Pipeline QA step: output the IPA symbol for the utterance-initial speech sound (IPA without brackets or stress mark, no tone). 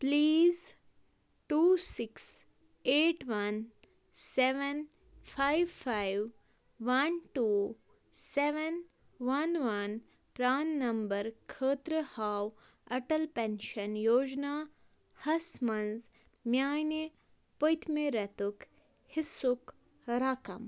p